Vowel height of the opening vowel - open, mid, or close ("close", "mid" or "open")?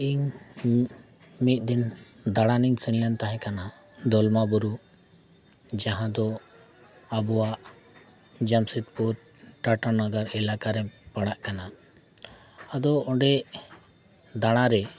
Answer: close